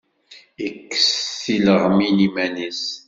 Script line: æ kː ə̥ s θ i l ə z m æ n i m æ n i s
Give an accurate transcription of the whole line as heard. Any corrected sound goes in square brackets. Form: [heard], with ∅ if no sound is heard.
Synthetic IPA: [i] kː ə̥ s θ i l ə [ʁ] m [i] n i m æ n i s